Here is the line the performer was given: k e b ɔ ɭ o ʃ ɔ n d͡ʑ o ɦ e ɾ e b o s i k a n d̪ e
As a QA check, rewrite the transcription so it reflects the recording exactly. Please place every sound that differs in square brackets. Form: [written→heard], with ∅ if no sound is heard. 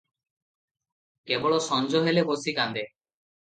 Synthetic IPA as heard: k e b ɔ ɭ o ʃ ɔ n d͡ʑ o ɦ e [ɾ→l] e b o s i k a n d̪ e